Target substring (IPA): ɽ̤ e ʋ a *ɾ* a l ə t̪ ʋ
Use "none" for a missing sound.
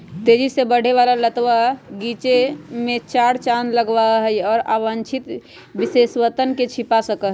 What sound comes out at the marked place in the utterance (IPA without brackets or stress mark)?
l